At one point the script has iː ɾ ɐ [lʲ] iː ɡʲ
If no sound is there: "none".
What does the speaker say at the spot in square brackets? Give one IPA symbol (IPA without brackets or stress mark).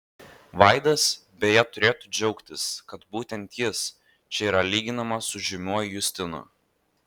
lʲ